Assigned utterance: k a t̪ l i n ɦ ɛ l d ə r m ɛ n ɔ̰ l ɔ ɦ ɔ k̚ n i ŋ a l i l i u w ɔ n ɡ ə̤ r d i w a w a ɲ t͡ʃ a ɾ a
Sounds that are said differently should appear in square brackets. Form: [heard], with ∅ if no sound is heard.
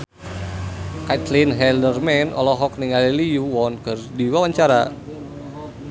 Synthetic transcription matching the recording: k a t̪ l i n ɦ ɛ l d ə r m ɛ n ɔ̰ l ɔ ɦ ɔ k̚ n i ŋ a l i l i u w ɔ n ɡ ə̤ r d i w a w a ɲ t͡ʃ a ɾ a